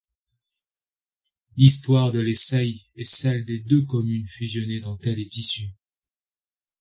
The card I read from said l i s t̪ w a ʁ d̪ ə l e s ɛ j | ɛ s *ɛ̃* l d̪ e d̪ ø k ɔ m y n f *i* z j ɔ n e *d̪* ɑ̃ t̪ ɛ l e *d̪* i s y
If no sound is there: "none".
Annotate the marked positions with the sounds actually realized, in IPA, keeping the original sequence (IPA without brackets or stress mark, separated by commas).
ɛ, y, d̪, t̪